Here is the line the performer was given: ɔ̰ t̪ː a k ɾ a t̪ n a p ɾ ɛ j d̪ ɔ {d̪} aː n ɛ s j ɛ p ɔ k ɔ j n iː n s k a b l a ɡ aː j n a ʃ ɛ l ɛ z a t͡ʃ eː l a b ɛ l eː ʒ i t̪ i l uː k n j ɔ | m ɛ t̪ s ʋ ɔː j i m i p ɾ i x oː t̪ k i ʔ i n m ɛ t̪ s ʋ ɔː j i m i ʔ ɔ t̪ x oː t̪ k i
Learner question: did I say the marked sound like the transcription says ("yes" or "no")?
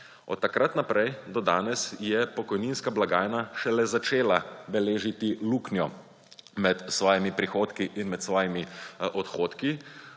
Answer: yes